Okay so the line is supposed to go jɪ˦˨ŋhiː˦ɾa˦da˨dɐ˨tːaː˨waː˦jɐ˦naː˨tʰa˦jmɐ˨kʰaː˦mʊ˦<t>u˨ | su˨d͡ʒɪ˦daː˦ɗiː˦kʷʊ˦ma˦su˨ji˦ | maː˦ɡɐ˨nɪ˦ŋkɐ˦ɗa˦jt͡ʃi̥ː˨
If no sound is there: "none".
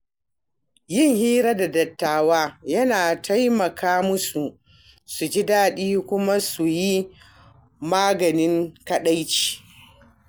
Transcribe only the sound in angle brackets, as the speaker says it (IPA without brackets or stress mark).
s